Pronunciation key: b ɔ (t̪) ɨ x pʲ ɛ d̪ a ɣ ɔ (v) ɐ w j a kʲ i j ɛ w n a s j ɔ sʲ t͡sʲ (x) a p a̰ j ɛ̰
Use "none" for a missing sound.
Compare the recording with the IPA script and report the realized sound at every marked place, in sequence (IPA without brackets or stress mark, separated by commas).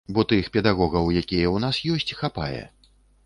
t̪, ɣ, x